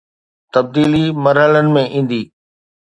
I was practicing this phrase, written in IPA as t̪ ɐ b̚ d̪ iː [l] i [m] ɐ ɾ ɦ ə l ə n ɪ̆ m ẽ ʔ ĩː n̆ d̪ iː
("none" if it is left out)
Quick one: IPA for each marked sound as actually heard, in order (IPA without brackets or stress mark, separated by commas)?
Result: l, m